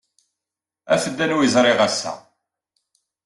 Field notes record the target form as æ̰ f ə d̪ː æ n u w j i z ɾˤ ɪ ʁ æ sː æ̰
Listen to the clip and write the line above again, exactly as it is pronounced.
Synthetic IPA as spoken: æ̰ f ə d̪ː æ n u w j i z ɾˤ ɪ ʁ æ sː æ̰